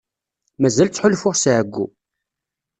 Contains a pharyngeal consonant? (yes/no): yes